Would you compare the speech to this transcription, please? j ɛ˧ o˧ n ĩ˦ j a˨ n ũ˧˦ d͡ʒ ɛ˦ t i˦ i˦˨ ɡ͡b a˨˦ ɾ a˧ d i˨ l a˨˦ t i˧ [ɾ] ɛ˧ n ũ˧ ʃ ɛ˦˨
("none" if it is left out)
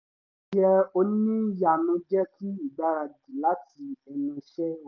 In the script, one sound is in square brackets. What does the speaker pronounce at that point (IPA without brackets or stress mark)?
none